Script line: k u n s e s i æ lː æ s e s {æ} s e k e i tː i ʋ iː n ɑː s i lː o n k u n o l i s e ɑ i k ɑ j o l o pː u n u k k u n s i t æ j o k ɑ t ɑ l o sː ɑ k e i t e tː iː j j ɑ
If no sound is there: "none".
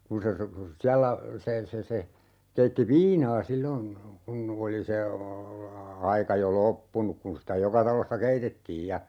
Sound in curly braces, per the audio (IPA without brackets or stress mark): e